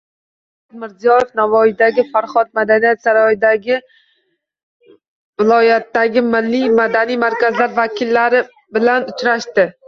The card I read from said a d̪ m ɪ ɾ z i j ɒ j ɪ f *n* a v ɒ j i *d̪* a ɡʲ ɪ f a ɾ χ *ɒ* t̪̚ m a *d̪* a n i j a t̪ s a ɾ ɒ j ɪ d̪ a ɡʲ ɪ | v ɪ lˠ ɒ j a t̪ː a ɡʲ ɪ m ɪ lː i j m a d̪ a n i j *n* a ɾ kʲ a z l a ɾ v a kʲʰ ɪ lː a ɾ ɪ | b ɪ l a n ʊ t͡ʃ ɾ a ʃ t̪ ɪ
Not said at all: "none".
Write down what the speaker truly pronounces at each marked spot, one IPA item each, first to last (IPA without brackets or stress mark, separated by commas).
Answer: n, d̪, ɒ, d̪, m